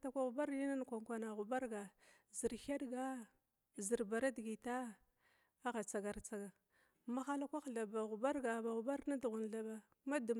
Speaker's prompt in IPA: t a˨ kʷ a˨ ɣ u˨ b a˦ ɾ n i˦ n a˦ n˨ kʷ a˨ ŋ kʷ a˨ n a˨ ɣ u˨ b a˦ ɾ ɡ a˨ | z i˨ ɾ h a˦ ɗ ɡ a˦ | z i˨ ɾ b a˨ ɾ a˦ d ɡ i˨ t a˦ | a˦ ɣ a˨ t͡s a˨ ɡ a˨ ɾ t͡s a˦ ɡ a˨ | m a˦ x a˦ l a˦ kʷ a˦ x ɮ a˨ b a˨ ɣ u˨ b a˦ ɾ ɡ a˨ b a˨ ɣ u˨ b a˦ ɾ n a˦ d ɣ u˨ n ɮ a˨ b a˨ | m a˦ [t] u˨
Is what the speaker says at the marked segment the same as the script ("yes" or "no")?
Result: no